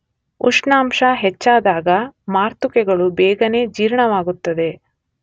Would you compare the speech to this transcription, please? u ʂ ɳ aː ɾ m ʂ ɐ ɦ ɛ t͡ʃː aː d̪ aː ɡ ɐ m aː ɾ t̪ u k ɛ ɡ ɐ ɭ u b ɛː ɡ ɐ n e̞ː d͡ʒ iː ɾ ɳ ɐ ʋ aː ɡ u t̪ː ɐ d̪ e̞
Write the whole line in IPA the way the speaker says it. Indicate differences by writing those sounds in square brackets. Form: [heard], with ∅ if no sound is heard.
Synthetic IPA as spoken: u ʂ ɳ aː [∅] m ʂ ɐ ɦ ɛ t͡ʃː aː d̪ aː ɡ ɐ m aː ɾ t̪ u k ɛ ɡ ɐ ɭ u b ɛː ɡ ɐ n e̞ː d͡ʒ iː ɾ ɳ ɐ ʋ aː ɡ u t̪ː ɐ d̪ e̞